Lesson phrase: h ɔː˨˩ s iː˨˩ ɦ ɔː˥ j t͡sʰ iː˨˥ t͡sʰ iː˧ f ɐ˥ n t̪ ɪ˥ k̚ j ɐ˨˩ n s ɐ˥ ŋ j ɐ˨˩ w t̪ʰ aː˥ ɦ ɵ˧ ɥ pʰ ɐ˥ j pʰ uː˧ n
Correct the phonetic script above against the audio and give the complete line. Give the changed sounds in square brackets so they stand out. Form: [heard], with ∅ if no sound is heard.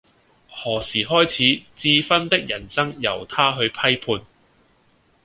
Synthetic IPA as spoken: h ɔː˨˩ s iː˨˩ ɦ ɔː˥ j t͡sʰ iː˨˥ [t͡s] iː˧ f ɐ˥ n t̪ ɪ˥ k̚ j ɐ˨˩ n s ɐ˥ ŋ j ɐ˨˩ w t̪ʰ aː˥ ɦ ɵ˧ ɥ pʰ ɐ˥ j pʰ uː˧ n

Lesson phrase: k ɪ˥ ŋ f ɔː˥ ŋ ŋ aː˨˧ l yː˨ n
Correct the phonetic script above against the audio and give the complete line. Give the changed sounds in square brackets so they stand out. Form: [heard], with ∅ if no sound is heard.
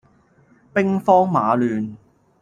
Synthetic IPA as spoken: [p] ɪ˥ ŋ f ɔː˥ ŋ [m] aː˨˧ l yː˨ n

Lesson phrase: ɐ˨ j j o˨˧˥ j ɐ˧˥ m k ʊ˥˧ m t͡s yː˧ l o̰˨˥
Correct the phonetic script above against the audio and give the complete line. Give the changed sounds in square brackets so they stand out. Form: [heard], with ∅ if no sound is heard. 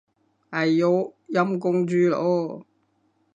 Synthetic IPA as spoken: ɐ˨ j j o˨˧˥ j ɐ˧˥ m k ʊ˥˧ [ŋ] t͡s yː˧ l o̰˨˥

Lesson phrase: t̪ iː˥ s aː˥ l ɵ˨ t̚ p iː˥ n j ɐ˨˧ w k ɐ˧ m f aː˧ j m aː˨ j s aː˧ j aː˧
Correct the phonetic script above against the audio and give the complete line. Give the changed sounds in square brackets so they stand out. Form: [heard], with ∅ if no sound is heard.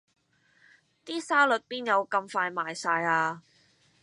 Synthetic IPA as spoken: t̪ iː˥ s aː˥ l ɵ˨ t̚ p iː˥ n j ɐ˨˧ w k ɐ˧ m f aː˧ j m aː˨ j s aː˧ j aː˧

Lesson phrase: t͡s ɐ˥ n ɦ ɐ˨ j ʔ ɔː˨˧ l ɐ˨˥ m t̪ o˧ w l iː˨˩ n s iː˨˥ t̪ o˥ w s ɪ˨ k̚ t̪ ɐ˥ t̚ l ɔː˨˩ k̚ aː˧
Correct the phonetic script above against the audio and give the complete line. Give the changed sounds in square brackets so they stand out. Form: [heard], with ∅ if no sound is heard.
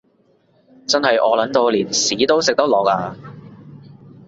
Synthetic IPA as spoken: t͡s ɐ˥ n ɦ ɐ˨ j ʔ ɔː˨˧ l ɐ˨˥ [n] t̪ o˧ w l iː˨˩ n s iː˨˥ t̪ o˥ w s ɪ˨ k̚ t̪ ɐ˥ [k̚] l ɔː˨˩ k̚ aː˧

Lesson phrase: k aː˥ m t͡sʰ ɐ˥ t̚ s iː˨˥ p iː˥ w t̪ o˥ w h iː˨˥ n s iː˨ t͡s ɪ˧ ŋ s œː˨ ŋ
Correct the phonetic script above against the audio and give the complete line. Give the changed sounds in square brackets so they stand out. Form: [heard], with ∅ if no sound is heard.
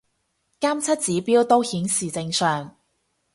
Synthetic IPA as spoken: k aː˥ m t͡sʰ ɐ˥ t̚ [t͡s] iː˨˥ p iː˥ w t̪ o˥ w h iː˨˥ n s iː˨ t͡s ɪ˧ ŋ s œː˨ ŋ

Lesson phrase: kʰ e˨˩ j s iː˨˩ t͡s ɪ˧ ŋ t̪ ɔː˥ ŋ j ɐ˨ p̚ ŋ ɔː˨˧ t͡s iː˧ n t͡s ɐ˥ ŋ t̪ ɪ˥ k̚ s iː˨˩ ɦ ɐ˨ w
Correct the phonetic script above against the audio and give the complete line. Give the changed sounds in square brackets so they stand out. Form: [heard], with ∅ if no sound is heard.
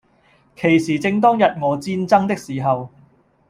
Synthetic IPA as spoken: kʰ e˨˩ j s iː˨˩ t͡s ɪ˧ ŋ t̪ ɔː˥ ŋ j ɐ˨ [t̚] ŋ ɔː˨˧ t͡s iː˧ n t͡s ɐ˥ ŋ t̪ ɪ˥ k̚ s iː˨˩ ɦ ɐ˨ w

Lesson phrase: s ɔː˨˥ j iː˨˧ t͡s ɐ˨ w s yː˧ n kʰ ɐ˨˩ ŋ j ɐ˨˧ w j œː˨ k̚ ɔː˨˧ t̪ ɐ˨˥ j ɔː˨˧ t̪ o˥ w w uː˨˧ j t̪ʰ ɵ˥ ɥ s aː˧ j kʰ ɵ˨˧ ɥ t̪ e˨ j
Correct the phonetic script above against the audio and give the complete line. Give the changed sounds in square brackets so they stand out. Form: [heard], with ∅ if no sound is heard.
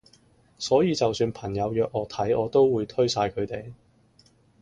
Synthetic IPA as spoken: s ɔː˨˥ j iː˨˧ t͡s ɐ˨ w s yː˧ n [pʰ] ɐ˨˩ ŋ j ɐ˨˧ w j œː˨ k̚ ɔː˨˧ [t̪ʰ] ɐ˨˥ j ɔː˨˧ t̪ o˥ w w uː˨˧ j t̪ʰ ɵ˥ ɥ s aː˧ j kʰ ɵ˨˧ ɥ t̪ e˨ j

